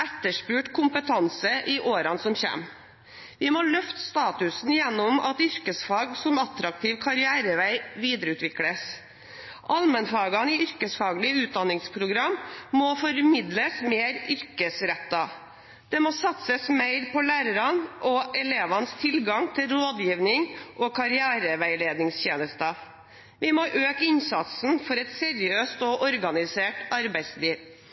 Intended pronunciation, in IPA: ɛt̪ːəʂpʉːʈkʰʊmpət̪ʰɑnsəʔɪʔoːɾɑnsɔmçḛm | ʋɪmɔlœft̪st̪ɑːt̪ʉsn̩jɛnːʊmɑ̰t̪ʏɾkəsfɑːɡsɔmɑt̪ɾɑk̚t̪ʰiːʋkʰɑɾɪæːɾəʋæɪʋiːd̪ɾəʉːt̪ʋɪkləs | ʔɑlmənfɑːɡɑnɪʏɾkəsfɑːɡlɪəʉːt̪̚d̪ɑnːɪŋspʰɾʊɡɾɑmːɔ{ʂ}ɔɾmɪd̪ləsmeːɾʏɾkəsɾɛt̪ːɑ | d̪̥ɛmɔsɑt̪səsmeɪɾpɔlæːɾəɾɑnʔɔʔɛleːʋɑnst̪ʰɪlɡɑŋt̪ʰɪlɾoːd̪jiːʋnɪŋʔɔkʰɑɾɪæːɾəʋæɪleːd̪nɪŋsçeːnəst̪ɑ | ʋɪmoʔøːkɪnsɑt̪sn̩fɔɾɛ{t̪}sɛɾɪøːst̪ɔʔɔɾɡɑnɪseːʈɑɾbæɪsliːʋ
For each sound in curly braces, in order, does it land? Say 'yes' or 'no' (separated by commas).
no, yes